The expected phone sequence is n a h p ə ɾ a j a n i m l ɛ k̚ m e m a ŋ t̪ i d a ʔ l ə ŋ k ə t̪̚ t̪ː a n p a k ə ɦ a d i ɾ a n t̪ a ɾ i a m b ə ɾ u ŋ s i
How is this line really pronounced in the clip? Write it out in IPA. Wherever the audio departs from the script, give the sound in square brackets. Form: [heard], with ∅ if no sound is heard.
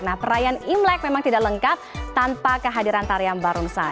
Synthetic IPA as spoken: n a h p ə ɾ a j a n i m l ɛ k̚ m e m a ŋ t̪ i d a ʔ l ə ŋ k [a] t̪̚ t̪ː a n p a k ə ɦ a d i ɾ a n t̪ a ɾ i a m b [a] ɾ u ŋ s [a]